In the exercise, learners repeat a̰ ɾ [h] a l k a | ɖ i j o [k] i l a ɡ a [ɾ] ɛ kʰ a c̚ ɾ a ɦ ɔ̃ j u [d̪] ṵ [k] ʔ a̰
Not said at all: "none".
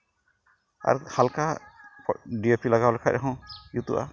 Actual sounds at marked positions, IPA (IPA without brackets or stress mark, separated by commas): h, p, l, t̪, none